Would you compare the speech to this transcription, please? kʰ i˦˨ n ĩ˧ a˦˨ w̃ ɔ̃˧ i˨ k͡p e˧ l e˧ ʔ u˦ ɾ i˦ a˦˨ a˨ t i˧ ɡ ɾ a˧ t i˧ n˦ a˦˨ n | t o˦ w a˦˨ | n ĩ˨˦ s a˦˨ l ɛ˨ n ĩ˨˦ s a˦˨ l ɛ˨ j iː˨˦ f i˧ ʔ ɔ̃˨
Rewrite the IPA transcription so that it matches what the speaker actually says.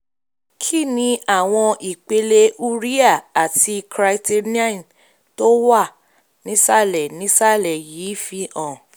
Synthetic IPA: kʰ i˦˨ n ĩ˧ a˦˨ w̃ ɔ̃˧ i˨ k͡p e˧ l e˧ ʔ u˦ ɾ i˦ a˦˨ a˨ t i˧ k ɾ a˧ t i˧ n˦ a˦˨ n | t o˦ w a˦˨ | n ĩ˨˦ s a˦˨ l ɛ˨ n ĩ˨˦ s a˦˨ l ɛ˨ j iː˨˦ f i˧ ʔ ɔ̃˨